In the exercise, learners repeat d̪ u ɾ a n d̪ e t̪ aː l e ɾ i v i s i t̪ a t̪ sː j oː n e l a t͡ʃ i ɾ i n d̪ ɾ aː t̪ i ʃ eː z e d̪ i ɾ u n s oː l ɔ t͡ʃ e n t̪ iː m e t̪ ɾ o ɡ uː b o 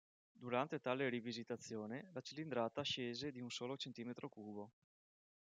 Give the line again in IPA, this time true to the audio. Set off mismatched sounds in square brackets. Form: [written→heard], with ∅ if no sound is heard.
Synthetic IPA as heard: d̪ u ɾ a n [d̪→t̪] e t̪ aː l e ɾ i v i [s→z] i t̪ a t̪ sː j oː n e l a t͡ʃ i [ɾ→l] i n d̪ ɾ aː t̪ [i→a] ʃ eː z e d̪ i [ɾ→∅] u n s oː l [ɔ→o] t͡ʃ e n t̪ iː m e t̪ ɾ o [ɡ→k] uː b o